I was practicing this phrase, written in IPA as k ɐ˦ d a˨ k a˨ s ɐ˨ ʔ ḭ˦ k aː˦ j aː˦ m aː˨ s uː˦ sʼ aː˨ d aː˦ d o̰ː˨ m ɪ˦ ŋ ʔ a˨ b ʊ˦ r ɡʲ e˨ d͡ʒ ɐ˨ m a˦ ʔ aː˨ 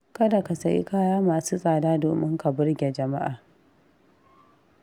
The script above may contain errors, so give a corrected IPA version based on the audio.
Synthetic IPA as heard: k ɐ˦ d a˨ k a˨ s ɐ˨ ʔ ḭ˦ k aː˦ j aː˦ m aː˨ s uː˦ sʼ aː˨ d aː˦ d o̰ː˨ m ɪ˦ ŋ k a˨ b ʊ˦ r ɡʲ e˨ d͡ʒ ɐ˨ m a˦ ʔ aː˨